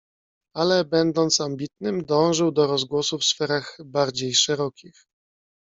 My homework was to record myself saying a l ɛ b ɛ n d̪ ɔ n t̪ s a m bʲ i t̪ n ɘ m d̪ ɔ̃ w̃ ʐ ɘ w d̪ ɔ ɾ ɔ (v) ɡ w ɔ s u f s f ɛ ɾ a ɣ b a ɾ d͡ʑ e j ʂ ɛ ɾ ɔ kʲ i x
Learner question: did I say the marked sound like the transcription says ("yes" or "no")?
no